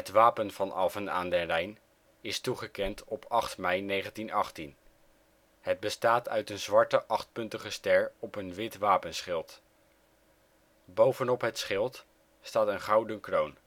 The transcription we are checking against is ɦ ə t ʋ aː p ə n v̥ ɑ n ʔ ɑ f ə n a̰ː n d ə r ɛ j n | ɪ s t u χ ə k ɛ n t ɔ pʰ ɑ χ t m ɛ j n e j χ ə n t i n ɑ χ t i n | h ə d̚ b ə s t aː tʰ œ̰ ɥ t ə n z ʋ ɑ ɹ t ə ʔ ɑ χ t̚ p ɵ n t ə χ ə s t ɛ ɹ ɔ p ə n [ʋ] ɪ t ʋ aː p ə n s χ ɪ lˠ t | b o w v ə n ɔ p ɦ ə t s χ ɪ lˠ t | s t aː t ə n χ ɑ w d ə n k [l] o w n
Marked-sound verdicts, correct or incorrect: correct, incorrect: r

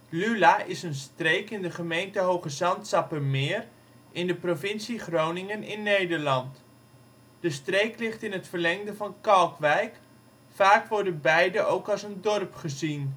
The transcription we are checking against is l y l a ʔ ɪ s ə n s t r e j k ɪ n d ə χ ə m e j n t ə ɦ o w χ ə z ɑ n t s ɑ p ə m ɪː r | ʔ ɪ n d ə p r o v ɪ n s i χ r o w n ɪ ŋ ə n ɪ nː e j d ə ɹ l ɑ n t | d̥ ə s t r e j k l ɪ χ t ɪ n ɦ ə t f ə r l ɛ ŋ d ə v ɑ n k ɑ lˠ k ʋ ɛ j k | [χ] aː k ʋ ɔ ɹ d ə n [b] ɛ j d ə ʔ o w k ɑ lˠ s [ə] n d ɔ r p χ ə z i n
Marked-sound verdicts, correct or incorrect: incorrect: f, correct, correct

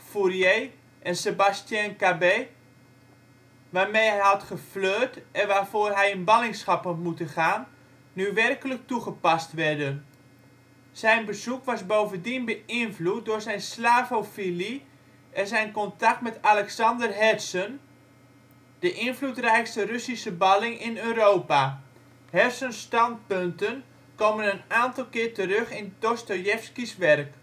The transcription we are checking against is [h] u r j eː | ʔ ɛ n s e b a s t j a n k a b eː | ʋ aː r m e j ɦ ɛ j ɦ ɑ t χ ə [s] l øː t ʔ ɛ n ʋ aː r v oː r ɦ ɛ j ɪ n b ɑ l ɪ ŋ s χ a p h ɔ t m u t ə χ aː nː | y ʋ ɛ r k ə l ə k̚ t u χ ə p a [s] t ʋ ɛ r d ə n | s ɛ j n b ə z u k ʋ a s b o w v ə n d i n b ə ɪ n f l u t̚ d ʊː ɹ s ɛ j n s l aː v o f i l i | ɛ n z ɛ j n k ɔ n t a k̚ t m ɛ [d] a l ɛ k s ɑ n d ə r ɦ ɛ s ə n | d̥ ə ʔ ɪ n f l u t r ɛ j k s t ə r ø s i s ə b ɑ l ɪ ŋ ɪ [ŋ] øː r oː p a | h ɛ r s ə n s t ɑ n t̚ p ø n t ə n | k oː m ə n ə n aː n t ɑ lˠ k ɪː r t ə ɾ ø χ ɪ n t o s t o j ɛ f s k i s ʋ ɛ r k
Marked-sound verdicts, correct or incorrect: incorrect: f, incorrect: f, correct, incorrect: t, incorrect: n

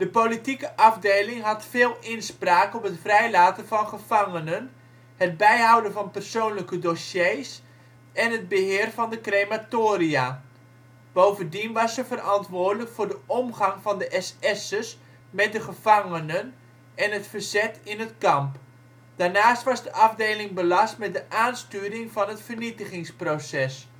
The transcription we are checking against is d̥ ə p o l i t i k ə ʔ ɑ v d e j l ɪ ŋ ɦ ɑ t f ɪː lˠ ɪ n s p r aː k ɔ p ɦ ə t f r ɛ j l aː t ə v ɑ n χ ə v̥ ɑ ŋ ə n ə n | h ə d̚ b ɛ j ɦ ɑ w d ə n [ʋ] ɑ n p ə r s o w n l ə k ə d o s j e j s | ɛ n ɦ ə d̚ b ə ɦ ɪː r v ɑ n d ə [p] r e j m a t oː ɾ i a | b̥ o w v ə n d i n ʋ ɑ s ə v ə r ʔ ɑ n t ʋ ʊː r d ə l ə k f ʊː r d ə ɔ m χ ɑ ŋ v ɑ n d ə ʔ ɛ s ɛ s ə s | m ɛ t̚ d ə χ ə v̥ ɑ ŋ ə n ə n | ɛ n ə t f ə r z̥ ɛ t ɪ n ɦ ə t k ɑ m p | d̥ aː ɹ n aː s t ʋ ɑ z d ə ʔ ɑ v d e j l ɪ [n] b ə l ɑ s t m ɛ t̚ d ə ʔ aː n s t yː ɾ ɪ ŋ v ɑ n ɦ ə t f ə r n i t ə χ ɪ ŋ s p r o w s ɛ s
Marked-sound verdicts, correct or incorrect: incorrect: v, incorrect: k, incorrect: ŋ

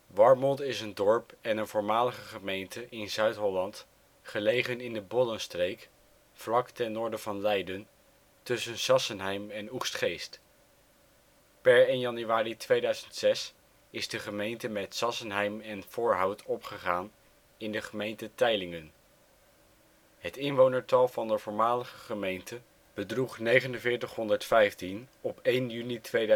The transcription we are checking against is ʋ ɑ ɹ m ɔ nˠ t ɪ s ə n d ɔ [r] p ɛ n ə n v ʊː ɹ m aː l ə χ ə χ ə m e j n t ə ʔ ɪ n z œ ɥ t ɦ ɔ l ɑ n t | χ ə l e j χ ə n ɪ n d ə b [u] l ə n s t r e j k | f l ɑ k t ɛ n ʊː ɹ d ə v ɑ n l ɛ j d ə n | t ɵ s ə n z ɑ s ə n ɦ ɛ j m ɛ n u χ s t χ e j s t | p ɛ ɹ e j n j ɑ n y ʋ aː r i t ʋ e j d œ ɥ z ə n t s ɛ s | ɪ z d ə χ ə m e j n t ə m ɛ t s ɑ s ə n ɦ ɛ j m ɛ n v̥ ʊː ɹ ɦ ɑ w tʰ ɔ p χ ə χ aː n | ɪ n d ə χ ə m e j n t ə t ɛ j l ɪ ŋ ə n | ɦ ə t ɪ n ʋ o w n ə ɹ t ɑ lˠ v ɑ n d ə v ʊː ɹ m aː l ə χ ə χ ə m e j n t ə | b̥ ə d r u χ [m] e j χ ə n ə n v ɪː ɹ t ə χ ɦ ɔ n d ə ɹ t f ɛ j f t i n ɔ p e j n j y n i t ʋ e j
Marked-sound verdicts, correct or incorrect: incorrect: ɹ, incorrect: ɔ, incorrect: n

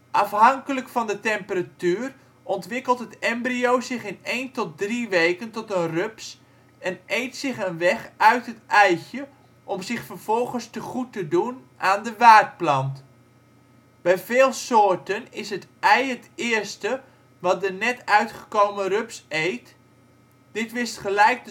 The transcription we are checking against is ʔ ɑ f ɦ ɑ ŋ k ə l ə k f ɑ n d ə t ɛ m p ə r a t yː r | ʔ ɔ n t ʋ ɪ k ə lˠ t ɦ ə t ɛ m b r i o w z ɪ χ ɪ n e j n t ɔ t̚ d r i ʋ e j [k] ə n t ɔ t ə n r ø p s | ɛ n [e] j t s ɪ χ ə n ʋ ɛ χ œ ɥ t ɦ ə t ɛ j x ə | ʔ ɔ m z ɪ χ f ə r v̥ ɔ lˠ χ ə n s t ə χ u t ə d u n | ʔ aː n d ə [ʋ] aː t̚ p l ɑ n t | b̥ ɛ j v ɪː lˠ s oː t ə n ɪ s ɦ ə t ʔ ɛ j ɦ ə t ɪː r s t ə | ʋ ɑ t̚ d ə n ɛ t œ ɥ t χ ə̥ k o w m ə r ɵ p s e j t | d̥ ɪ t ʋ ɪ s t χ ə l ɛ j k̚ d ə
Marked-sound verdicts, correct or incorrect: correct, correct, correct

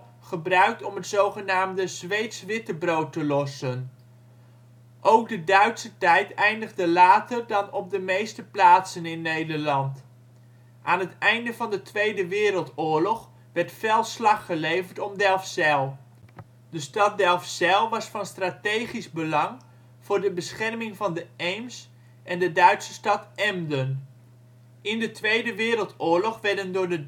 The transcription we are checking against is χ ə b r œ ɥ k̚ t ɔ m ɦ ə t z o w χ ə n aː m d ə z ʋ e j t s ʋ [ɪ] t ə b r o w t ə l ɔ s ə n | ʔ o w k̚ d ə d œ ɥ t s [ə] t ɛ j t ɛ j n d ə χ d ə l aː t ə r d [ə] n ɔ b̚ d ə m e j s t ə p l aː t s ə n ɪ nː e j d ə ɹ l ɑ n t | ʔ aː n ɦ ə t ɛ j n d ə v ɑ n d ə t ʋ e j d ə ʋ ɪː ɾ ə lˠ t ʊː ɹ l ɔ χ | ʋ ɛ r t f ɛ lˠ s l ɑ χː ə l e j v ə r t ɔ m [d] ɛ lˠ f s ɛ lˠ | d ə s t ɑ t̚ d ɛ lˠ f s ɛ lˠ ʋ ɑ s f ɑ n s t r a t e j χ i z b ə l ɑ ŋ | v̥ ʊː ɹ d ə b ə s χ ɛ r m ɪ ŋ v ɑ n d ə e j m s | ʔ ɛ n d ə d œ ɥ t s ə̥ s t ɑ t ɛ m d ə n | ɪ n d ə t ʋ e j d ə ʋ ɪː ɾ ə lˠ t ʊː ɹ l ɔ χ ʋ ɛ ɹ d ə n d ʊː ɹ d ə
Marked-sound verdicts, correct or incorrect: correct, correct, incorrect: ɑ, correct

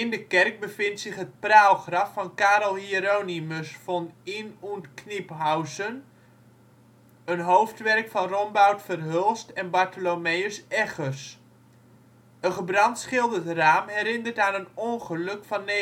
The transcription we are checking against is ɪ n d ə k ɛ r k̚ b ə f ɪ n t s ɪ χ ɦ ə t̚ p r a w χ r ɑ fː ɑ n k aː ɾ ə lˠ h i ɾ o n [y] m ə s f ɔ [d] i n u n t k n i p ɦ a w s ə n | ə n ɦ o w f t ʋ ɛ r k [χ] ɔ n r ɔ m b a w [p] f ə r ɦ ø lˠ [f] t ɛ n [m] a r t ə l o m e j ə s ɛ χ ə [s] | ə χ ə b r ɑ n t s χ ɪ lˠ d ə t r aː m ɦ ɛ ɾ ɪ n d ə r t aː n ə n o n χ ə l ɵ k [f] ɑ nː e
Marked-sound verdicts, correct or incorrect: incorrect: i, incorrect: n, incorrect: f, incorrect: t, incorrect: s, incorrect: b, correct, correct

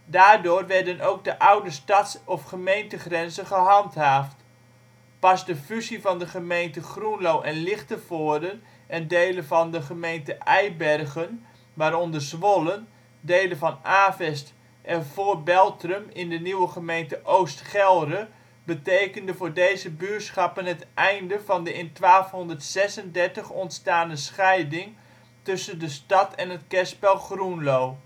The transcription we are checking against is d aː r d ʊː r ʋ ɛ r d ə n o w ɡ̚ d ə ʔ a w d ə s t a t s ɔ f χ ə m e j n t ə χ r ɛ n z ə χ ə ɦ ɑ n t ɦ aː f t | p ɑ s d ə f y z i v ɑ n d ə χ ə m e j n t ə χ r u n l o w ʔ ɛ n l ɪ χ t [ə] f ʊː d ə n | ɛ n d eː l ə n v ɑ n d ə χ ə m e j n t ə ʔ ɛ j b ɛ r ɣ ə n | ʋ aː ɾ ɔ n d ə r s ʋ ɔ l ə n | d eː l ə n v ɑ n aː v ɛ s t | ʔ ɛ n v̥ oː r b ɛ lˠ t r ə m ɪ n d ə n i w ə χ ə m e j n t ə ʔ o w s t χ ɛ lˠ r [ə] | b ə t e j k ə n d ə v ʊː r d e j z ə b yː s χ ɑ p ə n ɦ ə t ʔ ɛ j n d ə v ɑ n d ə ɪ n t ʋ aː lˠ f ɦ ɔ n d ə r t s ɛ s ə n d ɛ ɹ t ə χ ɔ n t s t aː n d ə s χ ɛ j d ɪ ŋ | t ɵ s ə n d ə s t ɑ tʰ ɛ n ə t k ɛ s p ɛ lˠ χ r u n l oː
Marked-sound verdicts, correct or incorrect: correct, correct

